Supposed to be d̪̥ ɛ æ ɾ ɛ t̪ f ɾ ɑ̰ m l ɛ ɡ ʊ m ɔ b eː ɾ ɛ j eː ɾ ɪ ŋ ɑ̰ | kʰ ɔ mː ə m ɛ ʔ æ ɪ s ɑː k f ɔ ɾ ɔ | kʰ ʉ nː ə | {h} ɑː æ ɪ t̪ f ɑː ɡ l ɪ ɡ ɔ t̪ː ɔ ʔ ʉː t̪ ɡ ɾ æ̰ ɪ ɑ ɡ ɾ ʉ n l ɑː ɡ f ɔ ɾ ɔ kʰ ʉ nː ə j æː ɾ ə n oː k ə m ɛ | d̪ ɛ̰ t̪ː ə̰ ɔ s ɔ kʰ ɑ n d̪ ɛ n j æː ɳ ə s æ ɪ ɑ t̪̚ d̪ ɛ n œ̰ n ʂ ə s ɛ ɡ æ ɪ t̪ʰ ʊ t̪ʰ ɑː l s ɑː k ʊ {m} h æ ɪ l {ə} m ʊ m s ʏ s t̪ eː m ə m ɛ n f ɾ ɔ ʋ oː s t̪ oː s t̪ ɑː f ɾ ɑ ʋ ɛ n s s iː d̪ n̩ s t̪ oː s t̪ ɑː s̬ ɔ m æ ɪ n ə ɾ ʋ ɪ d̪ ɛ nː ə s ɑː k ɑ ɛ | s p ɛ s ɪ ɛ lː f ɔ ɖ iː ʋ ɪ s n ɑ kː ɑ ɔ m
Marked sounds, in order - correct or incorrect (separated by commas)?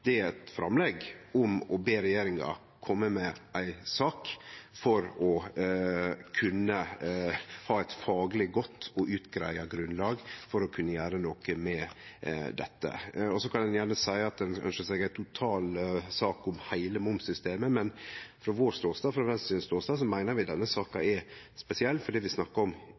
correct, correct, correct